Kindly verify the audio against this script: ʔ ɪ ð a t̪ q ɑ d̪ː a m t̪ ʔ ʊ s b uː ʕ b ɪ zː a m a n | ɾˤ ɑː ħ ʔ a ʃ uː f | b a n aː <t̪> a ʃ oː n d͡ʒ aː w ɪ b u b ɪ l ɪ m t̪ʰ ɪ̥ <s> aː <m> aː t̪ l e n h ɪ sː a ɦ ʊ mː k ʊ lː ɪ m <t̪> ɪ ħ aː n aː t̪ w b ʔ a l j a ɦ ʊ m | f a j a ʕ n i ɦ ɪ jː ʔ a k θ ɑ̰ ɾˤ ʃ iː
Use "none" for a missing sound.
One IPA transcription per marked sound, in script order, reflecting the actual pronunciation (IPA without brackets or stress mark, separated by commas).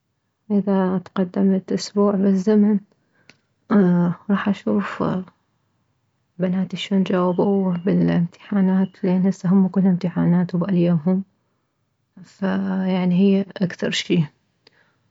t̪, ħ, n, t̪